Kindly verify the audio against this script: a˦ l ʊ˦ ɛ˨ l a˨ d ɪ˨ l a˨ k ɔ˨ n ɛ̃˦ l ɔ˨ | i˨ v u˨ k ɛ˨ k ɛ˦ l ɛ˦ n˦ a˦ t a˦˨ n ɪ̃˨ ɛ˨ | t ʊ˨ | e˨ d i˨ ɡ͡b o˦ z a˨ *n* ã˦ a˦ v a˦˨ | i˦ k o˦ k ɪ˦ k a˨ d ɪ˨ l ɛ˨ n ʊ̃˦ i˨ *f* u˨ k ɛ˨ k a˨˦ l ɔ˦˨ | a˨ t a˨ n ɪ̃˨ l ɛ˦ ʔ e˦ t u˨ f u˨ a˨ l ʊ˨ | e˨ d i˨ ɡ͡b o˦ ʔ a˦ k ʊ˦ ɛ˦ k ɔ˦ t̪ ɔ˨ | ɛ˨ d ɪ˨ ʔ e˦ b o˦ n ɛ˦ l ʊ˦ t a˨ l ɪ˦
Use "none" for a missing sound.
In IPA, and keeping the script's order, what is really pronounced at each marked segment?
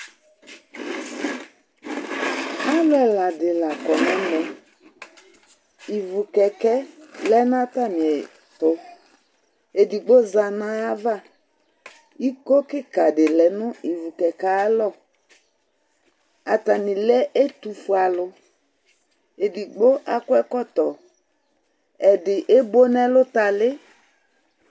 n, v

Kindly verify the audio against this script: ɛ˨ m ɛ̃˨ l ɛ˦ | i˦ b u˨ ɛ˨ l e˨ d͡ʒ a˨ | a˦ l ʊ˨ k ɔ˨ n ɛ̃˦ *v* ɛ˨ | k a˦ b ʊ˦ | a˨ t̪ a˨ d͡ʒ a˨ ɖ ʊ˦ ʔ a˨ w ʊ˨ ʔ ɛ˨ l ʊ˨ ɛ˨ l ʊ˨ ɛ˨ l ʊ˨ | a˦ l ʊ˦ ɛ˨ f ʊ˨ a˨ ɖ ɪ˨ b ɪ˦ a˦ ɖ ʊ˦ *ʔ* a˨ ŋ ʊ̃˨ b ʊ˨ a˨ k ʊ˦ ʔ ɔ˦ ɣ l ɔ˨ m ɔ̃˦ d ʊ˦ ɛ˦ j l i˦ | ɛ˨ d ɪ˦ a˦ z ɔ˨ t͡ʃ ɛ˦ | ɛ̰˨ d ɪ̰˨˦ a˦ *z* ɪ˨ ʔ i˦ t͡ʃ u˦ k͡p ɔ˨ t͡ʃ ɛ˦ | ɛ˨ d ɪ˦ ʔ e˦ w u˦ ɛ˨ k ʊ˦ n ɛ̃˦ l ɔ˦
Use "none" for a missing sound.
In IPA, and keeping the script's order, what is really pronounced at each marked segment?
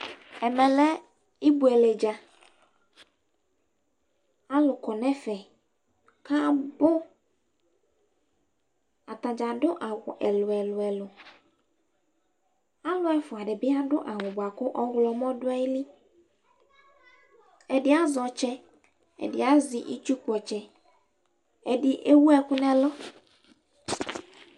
f, ʔ, z

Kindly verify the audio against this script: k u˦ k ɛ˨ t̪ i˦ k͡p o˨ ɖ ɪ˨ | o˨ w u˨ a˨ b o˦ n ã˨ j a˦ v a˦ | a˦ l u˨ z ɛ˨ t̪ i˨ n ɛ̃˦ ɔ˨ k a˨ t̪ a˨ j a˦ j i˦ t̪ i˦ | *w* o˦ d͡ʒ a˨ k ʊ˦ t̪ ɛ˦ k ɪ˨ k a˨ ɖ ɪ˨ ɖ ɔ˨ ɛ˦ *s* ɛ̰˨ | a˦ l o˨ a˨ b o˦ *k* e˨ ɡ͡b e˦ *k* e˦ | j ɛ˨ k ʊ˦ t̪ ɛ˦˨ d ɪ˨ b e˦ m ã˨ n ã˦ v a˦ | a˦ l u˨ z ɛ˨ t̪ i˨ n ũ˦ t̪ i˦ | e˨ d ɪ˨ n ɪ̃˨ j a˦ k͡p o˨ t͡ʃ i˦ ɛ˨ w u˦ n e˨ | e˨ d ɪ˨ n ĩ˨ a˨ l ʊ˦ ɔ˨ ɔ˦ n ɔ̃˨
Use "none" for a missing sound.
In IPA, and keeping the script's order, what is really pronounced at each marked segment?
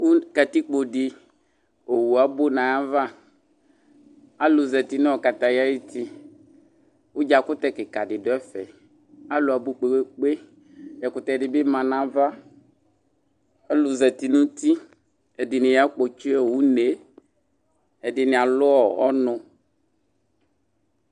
w, f, k͡p, k͡p

